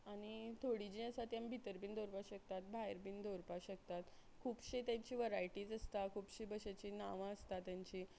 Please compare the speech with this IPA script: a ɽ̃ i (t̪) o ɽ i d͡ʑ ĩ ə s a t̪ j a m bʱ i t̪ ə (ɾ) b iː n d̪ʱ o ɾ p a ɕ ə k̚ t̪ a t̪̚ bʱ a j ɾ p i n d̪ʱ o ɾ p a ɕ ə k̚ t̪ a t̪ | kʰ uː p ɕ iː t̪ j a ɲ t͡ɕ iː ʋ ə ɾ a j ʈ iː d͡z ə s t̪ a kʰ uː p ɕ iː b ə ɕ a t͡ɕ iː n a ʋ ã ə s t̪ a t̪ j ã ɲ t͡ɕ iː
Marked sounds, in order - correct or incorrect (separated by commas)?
incorrect, correct